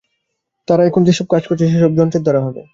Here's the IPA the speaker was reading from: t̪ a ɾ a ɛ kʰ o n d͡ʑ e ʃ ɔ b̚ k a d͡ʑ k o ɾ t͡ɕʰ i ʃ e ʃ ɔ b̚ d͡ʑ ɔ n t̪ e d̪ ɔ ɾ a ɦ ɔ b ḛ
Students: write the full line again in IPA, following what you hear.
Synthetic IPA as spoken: t̪ a ɾ a ɛ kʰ o n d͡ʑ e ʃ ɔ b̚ k a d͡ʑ k o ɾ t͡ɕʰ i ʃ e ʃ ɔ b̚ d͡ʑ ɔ n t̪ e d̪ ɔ ɾ a ɦ ɔ b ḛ